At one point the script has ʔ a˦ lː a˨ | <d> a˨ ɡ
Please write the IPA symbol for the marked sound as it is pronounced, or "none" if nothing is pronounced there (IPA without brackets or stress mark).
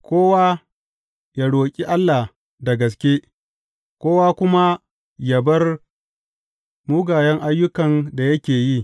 d